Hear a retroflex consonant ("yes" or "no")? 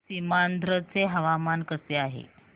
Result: no